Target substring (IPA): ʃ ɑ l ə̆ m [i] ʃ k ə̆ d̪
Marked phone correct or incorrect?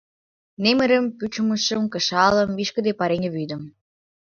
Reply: correct